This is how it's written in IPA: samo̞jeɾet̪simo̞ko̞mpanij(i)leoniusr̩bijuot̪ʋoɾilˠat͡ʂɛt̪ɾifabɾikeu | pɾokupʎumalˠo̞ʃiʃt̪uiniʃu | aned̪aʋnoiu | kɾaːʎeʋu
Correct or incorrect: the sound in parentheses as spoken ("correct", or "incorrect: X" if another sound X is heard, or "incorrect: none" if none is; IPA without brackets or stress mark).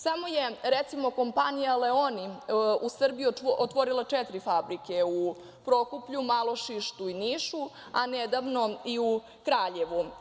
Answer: incorrect: a